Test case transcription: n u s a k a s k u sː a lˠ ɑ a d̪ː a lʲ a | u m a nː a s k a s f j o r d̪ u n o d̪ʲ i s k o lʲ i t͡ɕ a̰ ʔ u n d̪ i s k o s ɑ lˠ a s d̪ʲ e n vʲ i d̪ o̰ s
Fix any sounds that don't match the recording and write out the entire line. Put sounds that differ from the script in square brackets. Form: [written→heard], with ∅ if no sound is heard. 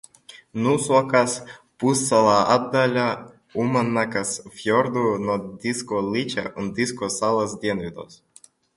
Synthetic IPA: n u s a k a s [k→p] u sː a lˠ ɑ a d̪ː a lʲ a | u m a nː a [s→∅] k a s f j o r d̪ u n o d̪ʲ i s k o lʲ i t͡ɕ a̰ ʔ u n d̪ i s k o s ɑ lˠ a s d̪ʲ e n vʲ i d̪ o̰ s

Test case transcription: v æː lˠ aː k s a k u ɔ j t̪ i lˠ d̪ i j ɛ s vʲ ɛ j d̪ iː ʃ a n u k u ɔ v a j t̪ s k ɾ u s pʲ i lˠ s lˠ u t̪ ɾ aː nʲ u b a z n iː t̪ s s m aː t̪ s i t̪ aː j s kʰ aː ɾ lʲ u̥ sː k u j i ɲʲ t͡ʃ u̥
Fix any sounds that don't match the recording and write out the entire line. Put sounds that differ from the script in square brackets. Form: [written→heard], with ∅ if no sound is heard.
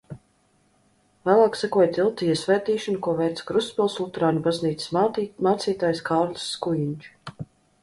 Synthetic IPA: v æː lˠ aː k s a k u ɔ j t̪ i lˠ [d̪→t̪] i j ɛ s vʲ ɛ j [d̪→t̪] iː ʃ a n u k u ɔ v [a→ɛ] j t̪ s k ɾ u s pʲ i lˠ s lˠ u t̪ ɾ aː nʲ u b a z n iː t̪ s s m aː t̪ s [i→iː] t̪ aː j s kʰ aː ɾ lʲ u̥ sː k u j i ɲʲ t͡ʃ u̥

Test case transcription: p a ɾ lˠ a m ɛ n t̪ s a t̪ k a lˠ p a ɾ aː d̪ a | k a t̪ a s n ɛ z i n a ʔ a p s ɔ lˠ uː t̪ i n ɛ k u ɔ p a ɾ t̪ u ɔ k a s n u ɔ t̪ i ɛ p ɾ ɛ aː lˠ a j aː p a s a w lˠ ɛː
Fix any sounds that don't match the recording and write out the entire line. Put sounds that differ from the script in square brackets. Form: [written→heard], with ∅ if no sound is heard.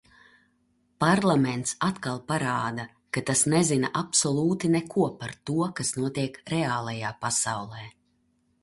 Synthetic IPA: p a ɾ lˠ a m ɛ n t̪ s a t̪ k a lˠ p a ɾ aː d̪ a | k a t̪ a s n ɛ z i n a ʔ a p s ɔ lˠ uː t̪ i n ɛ k u ɔ p a ɾ t̪ u ɔ k a s n u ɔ t̪ i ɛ [p→k] ɾ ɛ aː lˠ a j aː p a s a w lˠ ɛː

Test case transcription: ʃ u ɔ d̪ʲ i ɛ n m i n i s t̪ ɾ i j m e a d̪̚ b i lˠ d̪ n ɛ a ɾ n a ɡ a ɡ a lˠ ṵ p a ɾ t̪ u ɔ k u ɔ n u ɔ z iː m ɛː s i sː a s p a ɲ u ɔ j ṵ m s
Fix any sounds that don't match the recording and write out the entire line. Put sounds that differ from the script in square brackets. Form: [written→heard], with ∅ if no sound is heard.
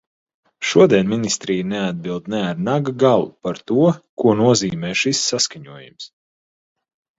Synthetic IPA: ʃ u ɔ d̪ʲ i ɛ n m i n i s t̪ ɾ i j [m→n] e a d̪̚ b i lˠ d̪ n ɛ a ɾ n a ɡ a ɡ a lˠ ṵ p a ɾ t̪ u ɔ k u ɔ n u ɔ z iː m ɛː [s→ʃ] i sː a s [p→k] a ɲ u ɔ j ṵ m s

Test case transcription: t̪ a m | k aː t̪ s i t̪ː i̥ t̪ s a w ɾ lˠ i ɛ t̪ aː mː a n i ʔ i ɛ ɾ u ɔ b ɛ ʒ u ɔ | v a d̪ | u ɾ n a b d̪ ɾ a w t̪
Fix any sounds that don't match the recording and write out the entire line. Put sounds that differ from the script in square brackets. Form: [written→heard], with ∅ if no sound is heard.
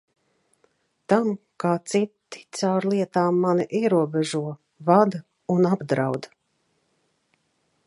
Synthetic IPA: t̪ a m | k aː t̪ s i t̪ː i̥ t̪ s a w ɾ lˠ i ɛ t̪ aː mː a n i ʔ i ɛ ɾ u ɔ b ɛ ʒ u ɔ | v a d̪ | u [ɾ→∅] n a b d̪ ɾ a w [t̪→d̪]

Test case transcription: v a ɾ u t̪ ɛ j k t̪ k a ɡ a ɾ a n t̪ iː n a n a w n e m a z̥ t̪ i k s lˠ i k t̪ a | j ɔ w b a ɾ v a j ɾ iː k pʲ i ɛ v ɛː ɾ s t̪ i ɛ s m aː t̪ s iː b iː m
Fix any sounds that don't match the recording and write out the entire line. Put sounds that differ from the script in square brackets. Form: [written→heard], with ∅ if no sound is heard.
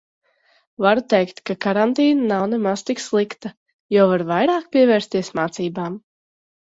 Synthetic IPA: v a ɾ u t̪ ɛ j k t̪ k a [ɡ→k] a ɾ a n t̪ iː n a n a w n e m a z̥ t̪ i k s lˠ i k t̪ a | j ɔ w [b→v] a ɾ v a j ɾ [iː→aː] k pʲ i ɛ v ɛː ɾ s t̪ i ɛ s m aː t̪ s iː b [iː→aː] m

